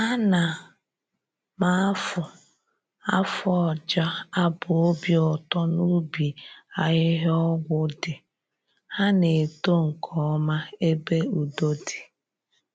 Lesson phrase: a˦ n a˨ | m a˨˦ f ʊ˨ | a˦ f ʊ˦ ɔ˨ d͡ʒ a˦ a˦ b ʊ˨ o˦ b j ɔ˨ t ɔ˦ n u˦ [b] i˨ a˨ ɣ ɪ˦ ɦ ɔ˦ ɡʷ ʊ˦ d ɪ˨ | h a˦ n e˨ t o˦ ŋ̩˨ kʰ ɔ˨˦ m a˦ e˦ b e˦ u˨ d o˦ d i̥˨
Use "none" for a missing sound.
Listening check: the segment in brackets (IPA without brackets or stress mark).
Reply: b